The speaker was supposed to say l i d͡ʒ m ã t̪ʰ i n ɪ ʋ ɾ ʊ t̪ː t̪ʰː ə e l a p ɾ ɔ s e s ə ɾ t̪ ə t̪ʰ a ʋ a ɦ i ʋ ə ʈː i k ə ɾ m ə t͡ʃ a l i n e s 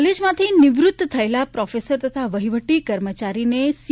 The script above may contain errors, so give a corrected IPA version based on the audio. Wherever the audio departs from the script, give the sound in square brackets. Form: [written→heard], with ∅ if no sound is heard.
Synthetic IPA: l [i→e] d͡ʒ m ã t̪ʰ i n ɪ ʋ ɾ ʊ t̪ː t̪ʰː ə e l a p ɾ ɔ [s→f] e s ə ɾ t̪ ə t̪ʰ a ʋ [a→ə] ɦ i ʋ ə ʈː i k ə ɾ m ə t͡ʃ a [l→ɾ] i n e s